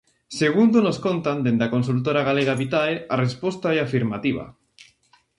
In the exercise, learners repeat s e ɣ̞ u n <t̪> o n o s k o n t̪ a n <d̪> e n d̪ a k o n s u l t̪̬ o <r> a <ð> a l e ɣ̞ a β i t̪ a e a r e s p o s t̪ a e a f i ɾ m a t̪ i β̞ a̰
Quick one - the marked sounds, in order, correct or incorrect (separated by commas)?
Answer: incorrect, correct, incorrect, incorrect